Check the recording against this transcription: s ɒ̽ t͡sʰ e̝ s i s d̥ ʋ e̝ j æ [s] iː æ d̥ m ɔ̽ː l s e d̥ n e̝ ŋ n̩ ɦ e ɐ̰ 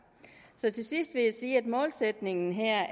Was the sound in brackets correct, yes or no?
yes